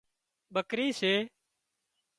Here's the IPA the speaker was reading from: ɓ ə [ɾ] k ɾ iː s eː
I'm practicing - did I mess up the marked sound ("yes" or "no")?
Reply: yes